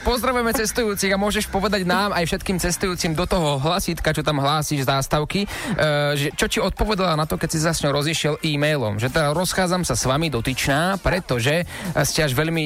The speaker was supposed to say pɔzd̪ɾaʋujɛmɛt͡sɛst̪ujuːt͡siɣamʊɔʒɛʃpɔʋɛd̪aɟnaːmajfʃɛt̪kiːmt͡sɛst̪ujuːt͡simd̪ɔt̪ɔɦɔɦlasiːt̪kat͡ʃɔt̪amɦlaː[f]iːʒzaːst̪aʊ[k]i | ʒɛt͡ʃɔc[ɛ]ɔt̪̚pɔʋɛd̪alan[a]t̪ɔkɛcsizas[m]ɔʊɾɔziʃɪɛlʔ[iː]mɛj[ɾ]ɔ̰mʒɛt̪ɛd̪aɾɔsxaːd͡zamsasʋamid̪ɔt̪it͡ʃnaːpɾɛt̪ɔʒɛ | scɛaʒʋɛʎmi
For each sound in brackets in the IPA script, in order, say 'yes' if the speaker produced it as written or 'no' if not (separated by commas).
no, yes, no, yes, no, yes, no